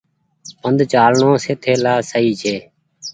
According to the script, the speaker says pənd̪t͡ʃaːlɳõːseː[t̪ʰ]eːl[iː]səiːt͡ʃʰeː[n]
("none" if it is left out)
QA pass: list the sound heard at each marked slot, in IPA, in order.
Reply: t̪ʰ, aː, none

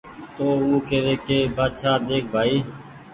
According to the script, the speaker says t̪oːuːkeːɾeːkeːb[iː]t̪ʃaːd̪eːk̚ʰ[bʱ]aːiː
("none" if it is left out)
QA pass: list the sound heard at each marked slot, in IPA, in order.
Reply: aː, bʱ

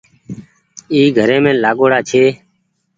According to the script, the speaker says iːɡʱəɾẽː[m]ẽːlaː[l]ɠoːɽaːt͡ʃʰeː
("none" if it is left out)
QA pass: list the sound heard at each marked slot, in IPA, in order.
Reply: m, none

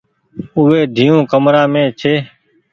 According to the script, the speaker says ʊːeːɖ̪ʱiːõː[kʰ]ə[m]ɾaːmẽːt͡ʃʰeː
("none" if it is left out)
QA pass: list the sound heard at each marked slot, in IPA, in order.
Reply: k, m

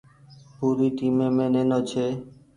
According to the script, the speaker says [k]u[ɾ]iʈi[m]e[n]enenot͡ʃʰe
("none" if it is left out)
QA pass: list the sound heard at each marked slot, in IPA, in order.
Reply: p, ɾ, m, m

